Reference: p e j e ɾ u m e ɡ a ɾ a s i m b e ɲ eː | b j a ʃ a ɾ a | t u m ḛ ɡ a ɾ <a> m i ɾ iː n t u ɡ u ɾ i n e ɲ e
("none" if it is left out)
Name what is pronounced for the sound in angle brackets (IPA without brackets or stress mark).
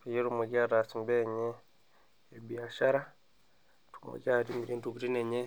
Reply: i